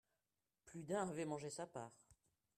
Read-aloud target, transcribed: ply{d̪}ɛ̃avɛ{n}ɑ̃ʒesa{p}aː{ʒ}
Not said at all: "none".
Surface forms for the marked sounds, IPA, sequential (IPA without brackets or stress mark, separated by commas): d̪, m, p, ʁ